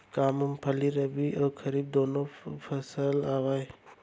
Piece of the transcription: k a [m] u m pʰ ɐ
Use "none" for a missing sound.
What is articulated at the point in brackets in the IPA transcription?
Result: m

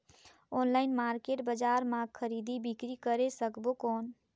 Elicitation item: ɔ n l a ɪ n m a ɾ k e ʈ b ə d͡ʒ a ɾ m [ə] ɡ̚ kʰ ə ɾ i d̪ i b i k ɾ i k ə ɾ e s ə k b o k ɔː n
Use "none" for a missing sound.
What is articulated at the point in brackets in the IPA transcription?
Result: a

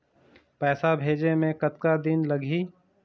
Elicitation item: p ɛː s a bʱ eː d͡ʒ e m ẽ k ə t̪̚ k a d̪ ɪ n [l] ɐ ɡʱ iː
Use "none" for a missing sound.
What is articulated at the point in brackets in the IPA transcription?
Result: l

